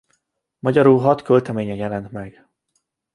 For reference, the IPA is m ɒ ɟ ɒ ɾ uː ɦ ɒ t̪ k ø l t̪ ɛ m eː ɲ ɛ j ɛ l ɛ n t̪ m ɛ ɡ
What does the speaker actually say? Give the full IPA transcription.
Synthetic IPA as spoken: m ɒ ɟ ɒ ɾ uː ɦ ɒ t̪ k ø l t̪ ɛ m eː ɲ ɛ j ɛ l ɛ n t̪ m ɛ ɡ